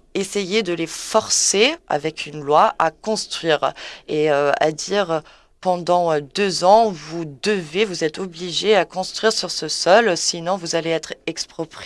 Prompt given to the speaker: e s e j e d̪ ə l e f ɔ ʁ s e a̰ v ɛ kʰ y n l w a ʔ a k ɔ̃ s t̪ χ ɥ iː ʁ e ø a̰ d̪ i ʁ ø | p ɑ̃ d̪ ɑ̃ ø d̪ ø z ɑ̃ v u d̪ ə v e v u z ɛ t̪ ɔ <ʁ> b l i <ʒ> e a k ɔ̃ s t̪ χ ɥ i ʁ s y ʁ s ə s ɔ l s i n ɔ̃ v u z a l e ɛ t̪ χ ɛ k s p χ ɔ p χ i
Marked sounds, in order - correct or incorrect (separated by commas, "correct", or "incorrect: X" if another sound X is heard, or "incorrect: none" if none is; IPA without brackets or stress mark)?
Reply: incorrect: none, correct